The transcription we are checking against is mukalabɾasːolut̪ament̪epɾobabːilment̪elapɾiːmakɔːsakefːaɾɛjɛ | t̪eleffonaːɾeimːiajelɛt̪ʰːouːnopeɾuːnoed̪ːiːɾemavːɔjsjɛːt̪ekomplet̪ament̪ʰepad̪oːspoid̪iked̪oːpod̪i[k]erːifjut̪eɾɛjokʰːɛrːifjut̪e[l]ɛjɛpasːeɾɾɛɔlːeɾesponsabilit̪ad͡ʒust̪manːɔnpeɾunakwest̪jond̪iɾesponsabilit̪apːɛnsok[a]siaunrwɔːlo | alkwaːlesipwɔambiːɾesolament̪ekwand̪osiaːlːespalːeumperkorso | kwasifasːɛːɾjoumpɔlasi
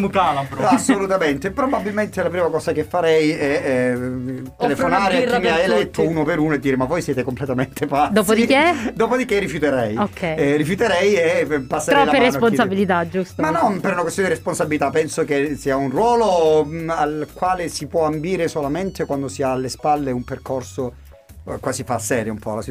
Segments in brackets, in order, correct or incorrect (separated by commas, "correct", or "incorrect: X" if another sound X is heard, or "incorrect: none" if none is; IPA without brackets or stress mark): correct, incorrect: ɾ, incorrect: e